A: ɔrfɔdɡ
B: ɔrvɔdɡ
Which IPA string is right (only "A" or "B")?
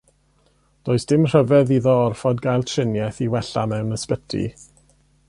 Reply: A